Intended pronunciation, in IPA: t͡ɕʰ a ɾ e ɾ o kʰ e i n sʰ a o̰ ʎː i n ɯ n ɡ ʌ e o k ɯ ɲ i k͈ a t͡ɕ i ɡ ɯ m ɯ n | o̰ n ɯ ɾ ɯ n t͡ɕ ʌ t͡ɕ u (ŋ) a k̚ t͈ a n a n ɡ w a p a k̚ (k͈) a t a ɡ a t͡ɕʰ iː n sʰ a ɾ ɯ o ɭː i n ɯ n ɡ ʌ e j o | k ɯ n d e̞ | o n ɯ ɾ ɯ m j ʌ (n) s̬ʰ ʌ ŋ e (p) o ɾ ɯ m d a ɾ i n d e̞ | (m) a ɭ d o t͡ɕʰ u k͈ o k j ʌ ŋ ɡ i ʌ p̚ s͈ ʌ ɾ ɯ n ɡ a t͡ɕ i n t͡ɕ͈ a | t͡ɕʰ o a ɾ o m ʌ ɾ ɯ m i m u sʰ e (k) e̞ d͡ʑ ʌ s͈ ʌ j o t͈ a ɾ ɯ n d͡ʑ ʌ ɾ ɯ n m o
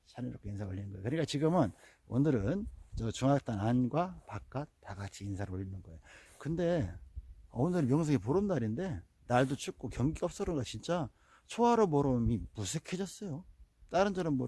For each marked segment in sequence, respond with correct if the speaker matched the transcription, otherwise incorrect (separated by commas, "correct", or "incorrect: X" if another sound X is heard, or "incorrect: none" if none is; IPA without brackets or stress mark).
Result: correct, correct, incorrect: ŋ, correct, incorrect: n, incorrect: kʰ